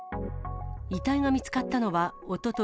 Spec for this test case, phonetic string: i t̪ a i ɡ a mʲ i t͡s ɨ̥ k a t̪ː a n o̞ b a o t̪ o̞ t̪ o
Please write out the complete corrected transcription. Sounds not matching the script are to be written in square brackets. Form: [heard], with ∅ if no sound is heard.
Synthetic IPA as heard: i t̪ a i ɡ a mʲ i t͡s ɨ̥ k a t̪ː a n o̞ [β] a o t̪ o̞ t̪ o